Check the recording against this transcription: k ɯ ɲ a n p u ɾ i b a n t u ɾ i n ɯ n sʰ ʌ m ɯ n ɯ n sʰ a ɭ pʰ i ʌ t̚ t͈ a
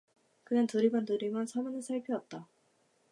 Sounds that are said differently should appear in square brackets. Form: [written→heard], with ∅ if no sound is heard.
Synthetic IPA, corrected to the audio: k ɯ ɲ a n [p→t] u ɾ i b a n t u ɾ i [n→m] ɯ n sʰ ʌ m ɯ n ɯ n sʰ a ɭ pʰ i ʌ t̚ t͈ a